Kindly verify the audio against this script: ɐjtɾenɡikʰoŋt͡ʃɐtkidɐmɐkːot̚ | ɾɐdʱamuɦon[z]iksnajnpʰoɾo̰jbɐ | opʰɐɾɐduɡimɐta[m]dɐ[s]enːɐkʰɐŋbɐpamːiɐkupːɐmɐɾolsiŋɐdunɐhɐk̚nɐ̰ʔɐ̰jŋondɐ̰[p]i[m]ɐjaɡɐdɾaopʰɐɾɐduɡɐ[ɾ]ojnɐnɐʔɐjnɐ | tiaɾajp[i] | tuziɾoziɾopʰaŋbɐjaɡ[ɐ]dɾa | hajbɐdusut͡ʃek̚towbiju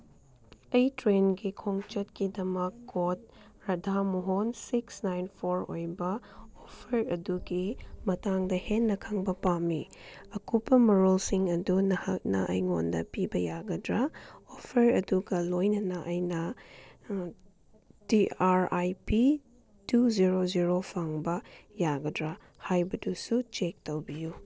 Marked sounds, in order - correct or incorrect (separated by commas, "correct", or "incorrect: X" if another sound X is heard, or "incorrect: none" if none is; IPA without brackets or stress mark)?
incorrect: s, incorrect: ŋ, incorrect: h, correct, incorrect: b, incorrect: l, correct, correct